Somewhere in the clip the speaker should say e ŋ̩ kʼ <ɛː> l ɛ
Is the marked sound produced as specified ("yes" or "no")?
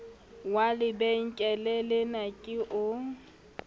no